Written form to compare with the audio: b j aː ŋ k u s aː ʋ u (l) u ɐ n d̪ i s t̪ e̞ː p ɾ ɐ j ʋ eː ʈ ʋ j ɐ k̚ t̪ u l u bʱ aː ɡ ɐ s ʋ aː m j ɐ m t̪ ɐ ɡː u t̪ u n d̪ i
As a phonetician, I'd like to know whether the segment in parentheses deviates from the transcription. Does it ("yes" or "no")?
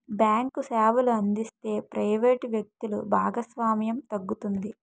no